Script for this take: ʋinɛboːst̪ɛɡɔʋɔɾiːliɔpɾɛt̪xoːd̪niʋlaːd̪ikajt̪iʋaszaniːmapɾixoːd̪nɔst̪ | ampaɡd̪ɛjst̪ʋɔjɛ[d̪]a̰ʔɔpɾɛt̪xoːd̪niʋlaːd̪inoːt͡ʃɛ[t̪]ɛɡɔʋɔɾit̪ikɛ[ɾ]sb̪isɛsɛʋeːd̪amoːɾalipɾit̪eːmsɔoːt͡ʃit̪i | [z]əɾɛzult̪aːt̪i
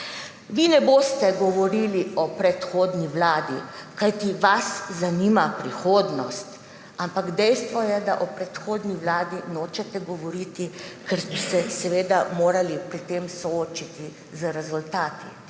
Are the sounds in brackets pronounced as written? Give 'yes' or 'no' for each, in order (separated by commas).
yes, yes, yes, yes